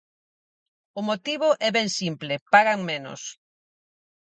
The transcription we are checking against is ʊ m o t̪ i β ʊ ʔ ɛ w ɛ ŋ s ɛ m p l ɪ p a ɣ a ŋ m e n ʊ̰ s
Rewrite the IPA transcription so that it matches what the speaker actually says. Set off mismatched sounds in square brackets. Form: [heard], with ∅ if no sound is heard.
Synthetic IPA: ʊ m o t̪ i β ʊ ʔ ɛ [β] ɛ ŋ s [i] m p l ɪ p a ɣ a ŋ m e n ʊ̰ s